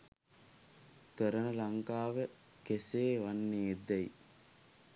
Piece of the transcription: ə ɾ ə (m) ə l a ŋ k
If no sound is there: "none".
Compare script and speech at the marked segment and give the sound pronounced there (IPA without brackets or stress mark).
n